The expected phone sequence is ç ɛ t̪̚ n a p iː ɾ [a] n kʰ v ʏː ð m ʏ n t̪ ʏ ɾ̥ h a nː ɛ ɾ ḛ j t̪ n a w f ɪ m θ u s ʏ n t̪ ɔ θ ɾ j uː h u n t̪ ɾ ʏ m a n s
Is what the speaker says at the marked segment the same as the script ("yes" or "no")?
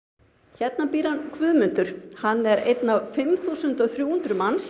yes